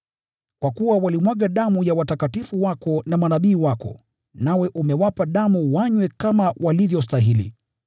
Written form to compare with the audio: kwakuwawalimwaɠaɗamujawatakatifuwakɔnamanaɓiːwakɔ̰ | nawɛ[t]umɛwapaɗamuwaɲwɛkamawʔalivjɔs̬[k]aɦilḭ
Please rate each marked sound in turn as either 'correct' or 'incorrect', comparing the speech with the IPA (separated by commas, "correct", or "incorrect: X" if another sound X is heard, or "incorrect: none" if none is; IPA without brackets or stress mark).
incorrect: ʔ, incorrect: t